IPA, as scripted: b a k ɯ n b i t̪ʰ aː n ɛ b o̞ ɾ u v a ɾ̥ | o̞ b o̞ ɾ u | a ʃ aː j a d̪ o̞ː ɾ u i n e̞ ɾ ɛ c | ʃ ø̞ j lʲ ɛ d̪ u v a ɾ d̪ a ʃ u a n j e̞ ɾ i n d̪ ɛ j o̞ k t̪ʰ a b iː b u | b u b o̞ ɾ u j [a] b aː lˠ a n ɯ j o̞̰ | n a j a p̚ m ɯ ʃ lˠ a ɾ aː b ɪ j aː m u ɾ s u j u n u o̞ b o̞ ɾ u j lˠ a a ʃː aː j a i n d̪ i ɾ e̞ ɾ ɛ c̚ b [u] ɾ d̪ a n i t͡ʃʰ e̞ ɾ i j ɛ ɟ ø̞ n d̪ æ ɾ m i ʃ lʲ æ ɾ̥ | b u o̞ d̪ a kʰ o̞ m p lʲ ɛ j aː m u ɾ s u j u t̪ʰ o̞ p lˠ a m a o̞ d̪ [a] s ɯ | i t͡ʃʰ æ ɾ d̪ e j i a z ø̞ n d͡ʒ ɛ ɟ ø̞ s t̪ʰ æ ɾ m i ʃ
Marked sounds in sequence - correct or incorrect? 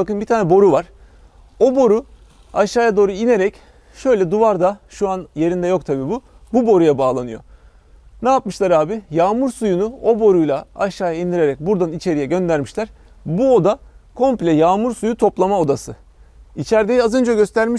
correct, correct, correct

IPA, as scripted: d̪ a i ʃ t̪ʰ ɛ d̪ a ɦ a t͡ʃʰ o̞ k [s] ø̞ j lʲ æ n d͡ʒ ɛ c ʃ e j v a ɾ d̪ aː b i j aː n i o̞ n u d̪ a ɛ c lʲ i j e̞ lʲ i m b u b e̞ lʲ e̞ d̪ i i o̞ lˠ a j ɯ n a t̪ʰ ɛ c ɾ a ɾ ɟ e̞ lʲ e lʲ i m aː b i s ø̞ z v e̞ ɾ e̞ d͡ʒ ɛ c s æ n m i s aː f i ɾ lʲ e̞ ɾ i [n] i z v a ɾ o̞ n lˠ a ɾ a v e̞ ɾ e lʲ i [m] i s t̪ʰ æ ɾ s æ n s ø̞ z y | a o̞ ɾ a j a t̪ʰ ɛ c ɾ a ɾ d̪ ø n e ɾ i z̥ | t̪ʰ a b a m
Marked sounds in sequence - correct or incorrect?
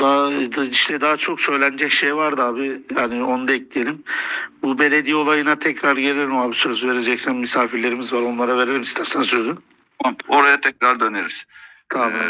correct, incorrect, correct

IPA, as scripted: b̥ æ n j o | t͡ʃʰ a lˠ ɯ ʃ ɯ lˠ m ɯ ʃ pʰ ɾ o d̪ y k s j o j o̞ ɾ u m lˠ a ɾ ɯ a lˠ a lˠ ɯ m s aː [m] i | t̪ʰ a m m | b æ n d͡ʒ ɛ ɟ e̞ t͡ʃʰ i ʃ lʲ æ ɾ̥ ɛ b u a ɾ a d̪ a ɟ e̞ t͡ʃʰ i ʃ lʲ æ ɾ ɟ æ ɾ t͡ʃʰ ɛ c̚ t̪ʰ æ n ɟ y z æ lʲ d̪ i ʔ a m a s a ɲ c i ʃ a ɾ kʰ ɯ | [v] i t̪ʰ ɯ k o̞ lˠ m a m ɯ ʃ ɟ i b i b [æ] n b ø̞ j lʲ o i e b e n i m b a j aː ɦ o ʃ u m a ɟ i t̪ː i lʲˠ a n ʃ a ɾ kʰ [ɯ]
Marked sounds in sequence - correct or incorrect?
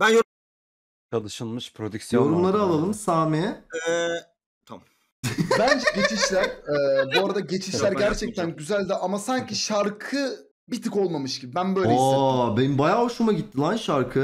correct, incorrect, correct, correct

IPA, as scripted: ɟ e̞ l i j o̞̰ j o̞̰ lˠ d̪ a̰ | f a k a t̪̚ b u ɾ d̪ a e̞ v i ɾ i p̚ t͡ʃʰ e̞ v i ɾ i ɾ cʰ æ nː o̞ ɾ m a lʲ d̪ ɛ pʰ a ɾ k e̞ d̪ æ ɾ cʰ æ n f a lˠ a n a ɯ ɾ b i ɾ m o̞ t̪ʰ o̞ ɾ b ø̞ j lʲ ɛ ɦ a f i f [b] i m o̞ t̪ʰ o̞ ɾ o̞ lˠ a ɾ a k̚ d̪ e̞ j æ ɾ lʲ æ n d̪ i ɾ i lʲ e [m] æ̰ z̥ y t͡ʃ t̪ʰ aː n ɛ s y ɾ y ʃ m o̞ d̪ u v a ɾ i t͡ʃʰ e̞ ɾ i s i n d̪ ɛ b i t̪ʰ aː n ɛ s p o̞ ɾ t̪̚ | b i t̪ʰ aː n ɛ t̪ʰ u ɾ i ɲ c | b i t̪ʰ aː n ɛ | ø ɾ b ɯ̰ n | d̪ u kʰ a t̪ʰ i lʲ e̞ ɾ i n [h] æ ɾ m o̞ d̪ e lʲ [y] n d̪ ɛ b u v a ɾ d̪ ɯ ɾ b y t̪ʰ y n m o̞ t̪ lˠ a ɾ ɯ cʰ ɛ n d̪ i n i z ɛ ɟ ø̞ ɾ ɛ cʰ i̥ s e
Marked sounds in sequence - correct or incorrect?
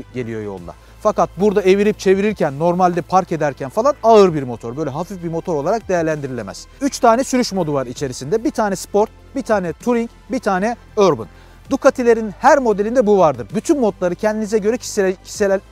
correct, correct, correct, incorrect

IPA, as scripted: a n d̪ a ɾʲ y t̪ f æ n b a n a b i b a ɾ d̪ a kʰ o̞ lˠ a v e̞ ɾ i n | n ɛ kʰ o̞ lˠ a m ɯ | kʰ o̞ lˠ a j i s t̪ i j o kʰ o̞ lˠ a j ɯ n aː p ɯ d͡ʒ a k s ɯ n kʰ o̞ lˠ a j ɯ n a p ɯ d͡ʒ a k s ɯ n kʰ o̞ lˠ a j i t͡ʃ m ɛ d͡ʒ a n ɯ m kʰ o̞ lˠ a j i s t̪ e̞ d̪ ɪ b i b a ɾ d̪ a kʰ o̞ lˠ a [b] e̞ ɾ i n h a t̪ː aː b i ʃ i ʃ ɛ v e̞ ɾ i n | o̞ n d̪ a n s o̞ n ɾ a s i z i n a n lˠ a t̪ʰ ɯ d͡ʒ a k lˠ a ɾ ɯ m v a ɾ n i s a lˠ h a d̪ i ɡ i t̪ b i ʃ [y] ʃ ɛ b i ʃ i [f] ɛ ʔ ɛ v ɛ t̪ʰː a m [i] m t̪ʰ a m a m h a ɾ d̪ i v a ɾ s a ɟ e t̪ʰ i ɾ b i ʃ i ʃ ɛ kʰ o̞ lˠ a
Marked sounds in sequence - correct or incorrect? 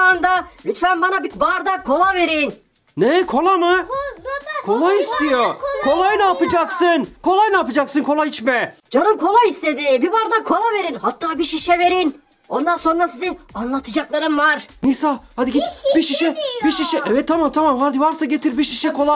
incorrect, incorrect, incorrect, incorrect

